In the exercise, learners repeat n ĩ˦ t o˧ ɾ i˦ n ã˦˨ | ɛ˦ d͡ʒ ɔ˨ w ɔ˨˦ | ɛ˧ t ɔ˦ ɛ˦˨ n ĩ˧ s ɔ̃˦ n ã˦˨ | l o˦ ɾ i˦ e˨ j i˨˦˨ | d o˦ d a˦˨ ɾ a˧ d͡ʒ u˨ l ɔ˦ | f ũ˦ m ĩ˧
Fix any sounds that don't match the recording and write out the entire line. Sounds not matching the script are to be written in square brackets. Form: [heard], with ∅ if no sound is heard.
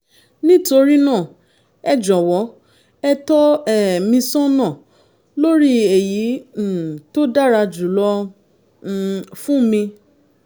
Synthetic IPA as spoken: n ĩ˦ t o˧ ɾ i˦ n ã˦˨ | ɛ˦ d͡ʒ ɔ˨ w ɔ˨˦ | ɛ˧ t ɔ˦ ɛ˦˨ [m] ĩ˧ s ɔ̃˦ n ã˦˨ | l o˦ ɾ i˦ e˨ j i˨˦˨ | [t] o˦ d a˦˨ ɾ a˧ d͡ʒ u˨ l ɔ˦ | f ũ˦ m ĩ˧